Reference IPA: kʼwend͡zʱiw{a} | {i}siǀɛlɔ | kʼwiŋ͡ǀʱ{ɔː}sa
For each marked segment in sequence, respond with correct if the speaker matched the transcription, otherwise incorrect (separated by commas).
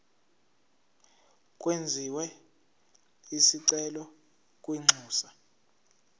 incorrect, correct, incorrect